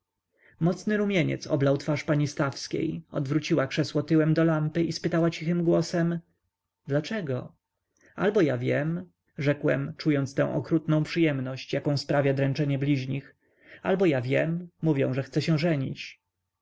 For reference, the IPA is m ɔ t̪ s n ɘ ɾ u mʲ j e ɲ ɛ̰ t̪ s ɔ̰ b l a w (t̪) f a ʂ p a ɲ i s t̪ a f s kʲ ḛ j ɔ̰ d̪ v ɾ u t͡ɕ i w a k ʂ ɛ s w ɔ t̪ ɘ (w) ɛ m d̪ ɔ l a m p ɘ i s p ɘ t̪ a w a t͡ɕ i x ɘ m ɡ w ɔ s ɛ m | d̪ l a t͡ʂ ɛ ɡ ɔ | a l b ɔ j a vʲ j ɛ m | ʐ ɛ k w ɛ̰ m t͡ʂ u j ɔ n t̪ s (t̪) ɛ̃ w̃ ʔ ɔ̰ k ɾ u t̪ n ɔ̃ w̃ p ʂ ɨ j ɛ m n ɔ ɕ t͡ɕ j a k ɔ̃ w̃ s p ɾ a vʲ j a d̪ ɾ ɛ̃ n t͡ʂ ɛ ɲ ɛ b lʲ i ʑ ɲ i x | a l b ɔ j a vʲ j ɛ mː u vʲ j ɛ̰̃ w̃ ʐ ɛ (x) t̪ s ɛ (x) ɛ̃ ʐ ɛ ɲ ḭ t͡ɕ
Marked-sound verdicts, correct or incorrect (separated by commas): correct, correct, correct, correct, incorrect